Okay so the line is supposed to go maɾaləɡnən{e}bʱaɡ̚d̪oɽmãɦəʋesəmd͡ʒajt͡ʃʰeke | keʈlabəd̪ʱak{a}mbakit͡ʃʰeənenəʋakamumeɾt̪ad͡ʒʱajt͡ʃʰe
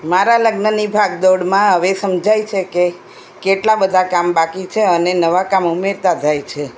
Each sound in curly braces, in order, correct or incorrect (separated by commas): incorrect, correct